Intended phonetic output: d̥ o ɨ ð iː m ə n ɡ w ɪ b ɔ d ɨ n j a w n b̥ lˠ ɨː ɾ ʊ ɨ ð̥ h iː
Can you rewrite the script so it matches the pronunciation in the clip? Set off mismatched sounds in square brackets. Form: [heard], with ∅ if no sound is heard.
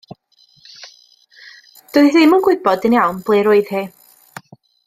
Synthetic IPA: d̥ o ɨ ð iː m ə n ɡ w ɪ b ɔ d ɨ n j a w n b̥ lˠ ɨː ɾ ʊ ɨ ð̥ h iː